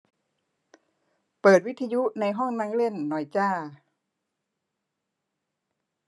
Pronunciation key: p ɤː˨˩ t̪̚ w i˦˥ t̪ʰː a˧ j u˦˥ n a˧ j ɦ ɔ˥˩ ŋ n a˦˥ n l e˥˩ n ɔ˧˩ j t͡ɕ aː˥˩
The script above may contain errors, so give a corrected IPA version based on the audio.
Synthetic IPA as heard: p ɤː˨˩ t̪̚ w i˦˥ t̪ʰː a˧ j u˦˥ n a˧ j ɦ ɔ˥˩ ŋ n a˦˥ ŋ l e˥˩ nː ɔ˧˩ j t͡ɕ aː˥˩